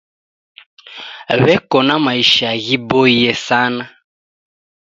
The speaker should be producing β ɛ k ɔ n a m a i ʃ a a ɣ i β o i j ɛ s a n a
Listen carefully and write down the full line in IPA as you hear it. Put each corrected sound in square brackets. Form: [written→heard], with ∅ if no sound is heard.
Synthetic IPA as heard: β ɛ k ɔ n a m a i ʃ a a ɣ i [β→b] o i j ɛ s a n a